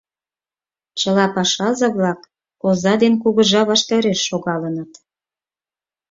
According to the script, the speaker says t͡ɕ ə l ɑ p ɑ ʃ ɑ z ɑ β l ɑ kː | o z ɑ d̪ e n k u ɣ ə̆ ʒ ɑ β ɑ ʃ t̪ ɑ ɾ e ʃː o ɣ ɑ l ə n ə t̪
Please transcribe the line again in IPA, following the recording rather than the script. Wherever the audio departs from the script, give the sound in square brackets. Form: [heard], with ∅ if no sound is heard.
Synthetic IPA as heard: t͡ɕ ə l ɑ p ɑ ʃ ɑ z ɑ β l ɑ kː | o z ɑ d̪ e n k u ɣ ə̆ ʒ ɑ β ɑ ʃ t̪ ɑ ɾ e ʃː o ɣ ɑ l ə n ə t̪